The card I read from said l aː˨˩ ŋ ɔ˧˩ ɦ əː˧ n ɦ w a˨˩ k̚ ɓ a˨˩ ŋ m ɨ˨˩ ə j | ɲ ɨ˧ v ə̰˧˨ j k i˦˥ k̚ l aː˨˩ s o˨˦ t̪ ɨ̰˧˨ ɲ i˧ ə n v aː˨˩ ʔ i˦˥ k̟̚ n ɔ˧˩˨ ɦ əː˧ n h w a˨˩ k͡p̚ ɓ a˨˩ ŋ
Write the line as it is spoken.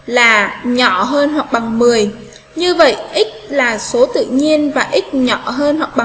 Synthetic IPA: l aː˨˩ ɲ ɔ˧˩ ɦ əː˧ n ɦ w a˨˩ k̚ ɓ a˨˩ ŋ m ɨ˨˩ ə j | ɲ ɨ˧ v ə̰˧˨ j ʔ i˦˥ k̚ l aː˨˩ s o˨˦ t̪ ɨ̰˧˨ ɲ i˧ ə n v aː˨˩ ʔ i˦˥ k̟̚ ɲ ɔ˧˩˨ ɦ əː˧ n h w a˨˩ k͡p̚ ɓ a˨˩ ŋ